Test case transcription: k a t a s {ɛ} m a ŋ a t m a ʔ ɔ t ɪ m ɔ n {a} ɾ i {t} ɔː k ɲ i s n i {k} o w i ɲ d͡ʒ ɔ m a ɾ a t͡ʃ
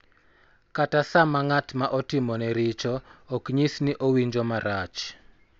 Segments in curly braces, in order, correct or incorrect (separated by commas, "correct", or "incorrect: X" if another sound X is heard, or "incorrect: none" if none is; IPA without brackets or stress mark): incorrect: a, incorrect: ɛ, incorrect: t͡ʃ, incorrect: ʔ